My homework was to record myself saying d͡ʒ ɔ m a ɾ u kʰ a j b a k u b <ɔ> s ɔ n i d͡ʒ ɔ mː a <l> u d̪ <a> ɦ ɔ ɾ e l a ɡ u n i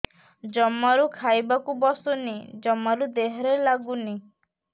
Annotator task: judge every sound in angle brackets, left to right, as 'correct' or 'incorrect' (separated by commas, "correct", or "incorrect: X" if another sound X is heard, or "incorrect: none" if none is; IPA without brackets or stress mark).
correct, incorrect: ɾ, incorrect: e